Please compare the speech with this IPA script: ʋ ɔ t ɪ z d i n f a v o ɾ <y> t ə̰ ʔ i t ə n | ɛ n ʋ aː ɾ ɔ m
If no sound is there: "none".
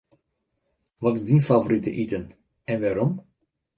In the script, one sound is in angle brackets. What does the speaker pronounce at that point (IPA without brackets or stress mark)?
i